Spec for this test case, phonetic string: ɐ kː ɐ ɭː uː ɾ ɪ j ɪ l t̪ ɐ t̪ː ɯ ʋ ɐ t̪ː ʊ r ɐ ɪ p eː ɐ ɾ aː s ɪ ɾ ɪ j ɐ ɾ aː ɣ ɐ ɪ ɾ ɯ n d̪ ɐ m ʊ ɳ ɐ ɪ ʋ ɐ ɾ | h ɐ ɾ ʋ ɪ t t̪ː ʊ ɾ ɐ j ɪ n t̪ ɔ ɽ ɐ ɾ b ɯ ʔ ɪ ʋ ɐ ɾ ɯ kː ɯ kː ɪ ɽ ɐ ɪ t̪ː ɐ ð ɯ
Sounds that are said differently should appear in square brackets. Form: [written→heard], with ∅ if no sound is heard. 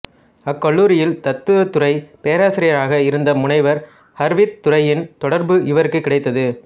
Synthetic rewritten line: ɐ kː ɐ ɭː uː ɾ ɪ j ɪ l t̪ ɐ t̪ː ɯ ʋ ɐ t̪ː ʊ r ɐ ɪ p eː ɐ ɾ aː s ɪ ɾ ɪ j ɐ ɾ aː ɣ ɐ ɪ ɾ ɯ n d̪ ɐ m ʊ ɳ ɐ ɪ ʋ ɐ ɾ | h ɐ ɾ ʋ ɪ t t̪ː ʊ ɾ ɐ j ɪ n t̪ ɔ ɽ ɐ ɾ b ɯ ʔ ɪ ʋ ɐ ɾ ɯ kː ɯ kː ɪ ɽ ɐ ɪ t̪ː ɐ ð ɯ